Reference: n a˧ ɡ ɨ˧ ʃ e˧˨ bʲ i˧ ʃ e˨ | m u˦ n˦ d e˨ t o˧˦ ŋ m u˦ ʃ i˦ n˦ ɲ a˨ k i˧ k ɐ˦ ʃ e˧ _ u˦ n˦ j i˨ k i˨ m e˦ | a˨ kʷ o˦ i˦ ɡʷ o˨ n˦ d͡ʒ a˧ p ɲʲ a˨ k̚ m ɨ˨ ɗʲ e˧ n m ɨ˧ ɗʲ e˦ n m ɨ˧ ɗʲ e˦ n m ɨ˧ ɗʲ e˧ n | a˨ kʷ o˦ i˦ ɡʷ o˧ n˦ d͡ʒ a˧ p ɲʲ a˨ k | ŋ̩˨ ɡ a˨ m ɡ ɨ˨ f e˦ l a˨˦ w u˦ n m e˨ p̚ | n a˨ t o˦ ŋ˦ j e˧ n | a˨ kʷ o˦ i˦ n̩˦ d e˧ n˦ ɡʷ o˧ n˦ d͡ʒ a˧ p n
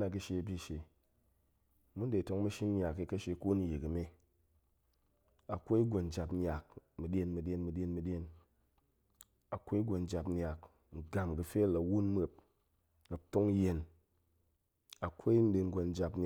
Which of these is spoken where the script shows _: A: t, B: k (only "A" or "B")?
B